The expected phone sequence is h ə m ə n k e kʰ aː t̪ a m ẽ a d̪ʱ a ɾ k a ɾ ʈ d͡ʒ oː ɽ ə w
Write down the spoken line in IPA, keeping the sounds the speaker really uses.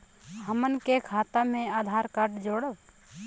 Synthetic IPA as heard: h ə m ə n k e kʰ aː t̪ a m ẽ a d̪ʱ a ɾ k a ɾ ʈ d͡ʒ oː ɽ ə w